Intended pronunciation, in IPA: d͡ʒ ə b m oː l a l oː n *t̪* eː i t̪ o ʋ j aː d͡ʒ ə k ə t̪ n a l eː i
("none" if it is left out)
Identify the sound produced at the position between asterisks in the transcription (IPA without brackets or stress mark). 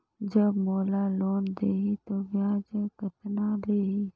d̪